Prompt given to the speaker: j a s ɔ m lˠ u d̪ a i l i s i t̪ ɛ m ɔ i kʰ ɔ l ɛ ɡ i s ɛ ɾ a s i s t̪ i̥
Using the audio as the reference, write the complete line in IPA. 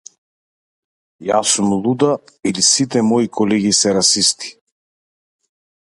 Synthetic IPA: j a s u m lˠ u d̪ a i l i s i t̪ ɛ m ɔ i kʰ ɔ l ɛ ɡ i s ɛ ɾ a s i s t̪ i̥